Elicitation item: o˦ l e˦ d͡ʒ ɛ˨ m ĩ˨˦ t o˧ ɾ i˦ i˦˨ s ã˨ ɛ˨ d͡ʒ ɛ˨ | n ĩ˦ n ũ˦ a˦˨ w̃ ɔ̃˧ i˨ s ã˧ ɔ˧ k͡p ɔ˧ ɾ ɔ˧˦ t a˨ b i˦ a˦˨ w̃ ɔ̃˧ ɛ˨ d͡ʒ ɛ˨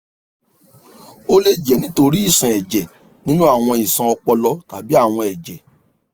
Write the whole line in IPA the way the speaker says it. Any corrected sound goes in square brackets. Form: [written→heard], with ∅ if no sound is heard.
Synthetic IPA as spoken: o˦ l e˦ d͡ʒ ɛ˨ [m→n] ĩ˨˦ t o˧ ɾ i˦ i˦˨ s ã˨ ɛ˨ d͡ʒ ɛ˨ | n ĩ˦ n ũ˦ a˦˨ w̃ ɔ̃˧ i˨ s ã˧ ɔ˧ k͡p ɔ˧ [ɾ→l] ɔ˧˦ t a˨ b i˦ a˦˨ w̃ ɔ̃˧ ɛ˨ d͡ʒ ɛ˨